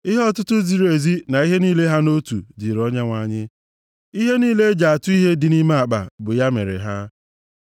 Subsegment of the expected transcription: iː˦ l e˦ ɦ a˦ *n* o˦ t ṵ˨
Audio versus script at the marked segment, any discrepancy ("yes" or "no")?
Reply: no